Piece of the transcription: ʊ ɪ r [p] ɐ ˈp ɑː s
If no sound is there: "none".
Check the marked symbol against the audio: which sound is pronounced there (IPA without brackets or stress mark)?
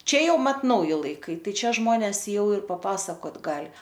p